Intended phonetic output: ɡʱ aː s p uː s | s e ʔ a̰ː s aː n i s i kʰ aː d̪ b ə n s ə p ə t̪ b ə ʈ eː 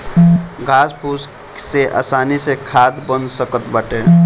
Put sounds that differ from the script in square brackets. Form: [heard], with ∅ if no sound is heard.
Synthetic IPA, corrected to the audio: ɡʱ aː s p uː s | s e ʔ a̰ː s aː n i s [e] kʰ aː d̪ b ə n s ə [k] ə t̪ b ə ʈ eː